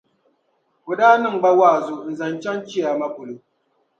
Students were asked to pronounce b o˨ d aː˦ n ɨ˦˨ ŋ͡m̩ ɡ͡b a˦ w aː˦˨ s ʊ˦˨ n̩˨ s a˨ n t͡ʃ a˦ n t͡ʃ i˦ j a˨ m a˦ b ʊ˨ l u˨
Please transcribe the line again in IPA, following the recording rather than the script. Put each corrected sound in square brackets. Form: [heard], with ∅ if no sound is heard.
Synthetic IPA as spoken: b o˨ d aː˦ n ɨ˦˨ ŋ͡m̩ ɡ͡b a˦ w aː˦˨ [z] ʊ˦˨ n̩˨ [z] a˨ n t͡ʃ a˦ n t͡ʃ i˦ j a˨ m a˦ b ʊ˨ l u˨